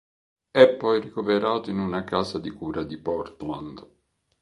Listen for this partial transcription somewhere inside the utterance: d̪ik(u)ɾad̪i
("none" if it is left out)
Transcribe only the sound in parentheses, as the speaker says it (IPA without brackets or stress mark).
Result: uː